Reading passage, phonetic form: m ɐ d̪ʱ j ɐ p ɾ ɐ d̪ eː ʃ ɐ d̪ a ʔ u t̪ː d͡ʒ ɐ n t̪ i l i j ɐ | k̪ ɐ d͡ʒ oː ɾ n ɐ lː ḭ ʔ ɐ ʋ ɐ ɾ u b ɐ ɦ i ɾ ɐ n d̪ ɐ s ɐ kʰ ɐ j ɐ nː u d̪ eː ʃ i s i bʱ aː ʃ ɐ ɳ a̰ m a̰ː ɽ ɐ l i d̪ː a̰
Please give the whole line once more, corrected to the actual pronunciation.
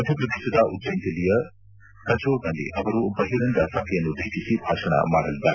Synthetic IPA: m ɐ d̪ʱ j ɐ p ɾ ɐ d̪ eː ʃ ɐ d̪ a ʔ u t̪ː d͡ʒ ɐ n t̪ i l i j ɐ | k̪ ɐ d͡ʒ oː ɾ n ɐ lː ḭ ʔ ɐ ʋ ɐ ɾ u b ɐ ɦ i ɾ ɐ n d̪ ɐ s ɐ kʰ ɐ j ɐ nː u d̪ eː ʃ i s i bʱ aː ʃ ɐ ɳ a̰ m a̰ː ɽ ɐ l i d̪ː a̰